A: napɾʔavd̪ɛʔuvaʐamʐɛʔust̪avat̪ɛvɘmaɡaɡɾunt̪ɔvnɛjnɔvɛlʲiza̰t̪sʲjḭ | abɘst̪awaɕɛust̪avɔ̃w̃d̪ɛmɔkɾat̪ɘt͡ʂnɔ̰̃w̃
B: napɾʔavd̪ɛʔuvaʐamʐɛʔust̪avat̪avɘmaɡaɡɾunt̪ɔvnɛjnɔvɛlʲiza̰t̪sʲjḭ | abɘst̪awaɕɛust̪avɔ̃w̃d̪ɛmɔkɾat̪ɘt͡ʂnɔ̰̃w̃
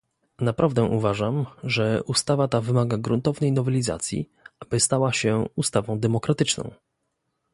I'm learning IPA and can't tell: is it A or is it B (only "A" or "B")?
B